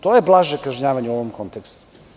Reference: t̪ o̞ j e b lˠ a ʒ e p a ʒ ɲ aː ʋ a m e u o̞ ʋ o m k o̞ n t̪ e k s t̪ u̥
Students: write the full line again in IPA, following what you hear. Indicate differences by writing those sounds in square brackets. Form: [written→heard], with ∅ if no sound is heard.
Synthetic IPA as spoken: t̪ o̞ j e b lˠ a ʒ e [p→k] a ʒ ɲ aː ʋ a [m→ɲ] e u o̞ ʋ o m k o̞ n t̪ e k s t̪ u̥